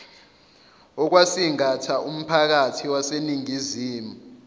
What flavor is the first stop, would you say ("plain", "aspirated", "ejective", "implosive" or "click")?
plain